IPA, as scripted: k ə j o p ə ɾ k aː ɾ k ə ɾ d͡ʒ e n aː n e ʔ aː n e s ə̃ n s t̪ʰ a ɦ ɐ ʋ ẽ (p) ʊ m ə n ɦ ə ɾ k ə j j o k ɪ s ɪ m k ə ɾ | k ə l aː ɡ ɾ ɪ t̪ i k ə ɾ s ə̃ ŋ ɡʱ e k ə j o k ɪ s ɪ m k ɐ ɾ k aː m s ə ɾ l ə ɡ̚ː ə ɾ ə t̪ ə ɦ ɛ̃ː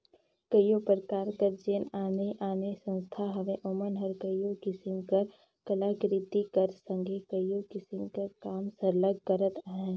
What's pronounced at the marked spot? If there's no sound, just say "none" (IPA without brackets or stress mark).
ʔ